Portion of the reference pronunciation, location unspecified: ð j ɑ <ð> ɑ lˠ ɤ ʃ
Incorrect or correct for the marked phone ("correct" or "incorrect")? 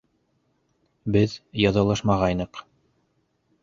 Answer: correct